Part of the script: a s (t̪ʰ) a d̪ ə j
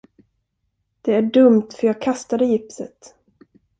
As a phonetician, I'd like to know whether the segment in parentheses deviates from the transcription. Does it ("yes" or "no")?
yes